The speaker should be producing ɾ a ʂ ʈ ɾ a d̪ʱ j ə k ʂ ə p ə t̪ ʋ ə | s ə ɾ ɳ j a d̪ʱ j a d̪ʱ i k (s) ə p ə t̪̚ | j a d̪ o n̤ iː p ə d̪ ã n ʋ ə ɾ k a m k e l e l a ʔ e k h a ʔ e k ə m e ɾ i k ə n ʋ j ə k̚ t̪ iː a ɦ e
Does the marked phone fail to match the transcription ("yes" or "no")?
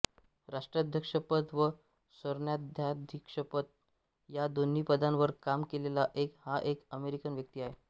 yes